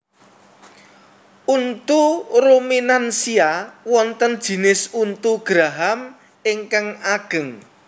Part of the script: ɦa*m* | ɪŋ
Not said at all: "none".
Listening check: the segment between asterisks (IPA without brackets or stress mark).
m